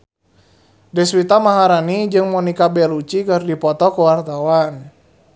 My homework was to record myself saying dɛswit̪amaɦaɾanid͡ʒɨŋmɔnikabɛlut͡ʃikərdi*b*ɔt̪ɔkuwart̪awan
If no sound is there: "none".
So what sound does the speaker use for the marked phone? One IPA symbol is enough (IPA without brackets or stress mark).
p